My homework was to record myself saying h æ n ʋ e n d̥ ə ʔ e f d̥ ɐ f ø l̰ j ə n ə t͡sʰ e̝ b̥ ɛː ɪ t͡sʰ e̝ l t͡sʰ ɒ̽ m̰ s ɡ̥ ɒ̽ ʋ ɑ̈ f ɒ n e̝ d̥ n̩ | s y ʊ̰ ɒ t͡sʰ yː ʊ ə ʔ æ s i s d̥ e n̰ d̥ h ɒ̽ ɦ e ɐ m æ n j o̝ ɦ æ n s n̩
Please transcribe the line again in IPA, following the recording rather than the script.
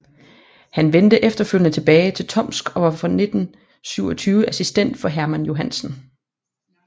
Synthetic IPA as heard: h æ n ʋ e n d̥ ə ʔ e f d̥ ɐ f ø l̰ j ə n ə t͡sʰ e̝ b̥ ɛː ɪ t͡sʰ e̝ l t͡sʰ ɒ̽ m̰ s ɡ̥ ɒ̽ ʋ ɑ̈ f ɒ n e̝ d̥ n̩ | s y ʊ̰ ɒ t͡sʰ yː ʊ ə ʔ æ s i s d̥ e n̰ d̥ f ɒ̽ ɦ æ ɐ m æ n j o̝ ɦ æ n s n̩